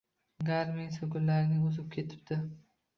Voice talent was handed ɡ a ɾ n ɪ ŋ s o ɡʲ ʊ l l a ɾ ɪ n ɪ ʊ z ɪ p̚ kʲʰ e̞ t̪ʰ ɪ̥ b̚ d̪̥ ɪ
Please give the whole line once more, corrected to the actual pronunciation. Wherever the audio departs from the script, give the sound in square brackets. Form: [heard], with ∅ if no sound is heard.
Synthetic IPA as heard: ɡ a ɾ [m] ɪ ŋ s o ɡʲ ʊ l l a ɾ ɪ n ɪ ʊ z ɪ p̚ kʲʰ e̞ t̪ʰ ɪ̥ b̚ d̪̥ ɪ